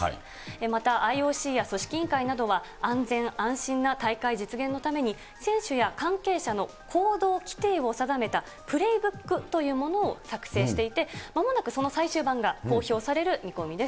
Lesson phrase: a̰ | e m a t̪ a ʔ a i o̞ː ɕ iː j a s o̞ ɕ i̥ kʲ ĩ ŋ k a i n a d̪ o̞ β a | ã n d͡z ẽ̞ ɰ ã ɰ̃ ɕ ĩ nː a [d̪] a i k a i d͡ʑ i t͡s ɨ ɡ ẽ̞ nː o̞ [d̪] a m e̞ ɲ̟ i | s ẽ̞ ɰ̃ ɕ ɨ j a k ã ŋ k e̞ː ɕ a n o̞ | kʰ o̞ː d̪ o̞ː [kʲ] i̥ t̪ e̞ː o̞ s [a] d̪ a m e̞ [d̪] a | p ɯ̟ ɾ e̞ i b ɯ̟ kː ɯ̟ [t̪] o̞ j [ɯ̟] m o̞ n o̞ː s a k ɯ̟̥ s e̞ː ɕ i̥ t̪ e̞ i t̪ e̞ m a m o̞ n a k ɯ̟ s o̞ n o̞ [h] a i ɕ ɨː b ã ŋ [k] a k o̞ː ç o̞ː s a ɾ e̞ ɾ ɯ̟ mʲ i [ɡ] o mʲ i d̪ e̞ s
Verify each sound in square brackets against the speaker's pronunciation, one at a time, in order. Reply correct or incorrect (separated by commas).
incorrect, incorrect, correct, correct, incorrect, correct, incorrect, incorrect, incorrect, incorrect